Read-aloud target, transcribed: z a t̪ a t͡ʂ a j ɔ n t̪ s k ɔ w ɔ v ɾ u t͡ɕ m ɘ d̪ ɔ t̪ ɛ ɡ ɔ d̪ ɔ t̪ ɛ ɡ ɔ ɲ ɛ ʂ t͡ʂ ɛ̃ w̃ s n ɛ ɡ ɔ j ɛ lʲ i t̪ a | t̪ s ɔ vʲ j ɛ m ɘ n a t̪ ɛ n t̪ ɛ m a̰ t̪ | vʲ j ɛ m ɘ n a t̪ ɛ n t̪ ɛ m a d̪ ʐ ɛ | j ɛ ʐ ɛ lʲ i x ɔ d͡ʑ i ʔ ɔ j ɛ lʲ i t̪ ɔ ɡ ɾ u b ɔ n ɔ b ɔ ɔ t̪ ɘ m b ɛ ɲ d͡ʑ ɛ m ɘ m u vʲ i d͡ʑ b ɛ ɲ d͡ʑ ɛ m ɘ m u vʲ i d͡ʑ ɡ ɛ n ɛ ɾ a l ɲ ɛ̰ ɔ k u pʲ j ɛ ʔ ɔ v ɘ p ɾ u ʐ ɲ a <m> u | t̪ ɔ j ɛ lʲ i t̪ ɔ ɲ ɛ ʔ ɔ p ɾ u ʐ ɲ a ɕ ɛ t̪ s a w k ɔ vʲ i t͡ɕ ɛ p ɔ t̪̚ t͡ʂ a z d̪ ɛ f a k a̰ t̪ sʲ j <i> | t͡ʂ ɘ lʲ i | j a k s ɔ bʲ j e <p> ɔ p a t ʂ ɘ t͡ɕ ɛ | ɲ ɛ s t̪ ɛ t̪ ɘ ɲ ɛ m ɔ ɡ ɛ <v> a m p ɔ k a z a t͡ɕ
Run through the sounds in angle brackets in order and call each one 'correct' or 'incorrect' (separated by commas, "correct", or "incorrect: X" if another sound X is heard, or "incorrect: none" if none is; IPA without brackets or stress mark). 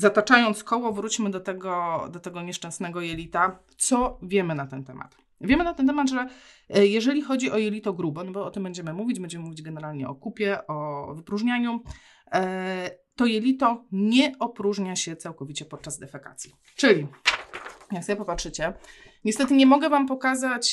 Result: incorrect: ɲ, correct, correct, correct